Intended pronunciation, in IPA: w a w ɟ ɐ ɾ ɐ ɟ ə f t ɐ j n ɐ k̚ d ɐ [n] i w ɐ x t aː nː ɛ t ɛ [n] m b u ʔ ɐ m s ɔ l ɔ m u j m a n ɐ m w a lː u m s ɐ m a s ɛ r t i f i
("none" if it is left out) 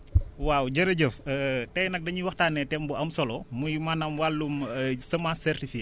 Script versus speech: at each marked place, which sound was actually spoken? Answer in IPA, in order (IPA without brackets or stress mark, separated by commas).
ɲ, none